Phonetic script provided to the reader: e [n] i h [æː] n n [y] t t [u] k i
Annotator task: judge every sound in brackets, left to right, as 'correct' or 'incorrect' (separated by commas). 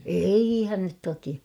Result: incorrect, incorrect, correct, incorrect